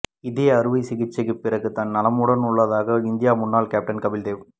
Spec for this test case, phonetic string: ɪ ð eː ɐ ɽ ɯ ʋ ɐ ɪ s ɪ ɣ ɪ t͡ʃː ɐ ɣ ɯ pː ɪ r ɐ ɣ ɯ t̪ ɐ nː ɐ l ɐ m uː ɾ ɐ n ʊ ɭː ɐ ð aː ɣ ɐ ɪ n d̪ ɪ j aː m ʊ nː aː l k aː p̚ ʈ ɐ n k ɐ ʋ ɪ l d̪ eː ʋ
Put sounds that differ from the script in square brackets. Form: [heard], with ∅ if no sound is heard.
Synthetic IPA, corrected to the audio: ɪ ð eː ɐ [ɾ] ɯ ʋ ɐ ɪ s ɪ ɣ ɪ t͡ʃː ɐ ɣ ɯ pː ɪ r ɐ ɣ ɯ t̪ ɐ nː ɐ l ɐ m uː [ɽ] ɐ n ʊ ɭː ɐ ð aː ɣ ɐ ɪ n d̪ ɪ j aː m ʊ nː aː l k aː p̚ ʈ ɐ n k ɐ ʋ ɪ l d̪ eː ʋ